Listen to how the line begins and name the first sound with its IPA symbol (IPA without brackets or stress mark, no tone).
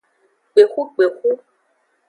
k͡p